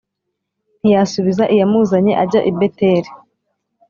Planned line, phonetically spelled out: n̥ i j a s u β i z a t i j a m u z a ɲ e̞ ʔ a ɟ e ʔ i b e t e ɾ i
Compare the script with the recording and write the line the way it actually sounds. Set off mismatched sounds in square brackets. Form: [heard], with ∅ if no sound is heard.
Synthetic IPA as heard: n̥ i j a s u β i z a [ʔ] i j a m u z a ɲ e̞ ʔ a ɟ [a] ʔ i b e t e ɾ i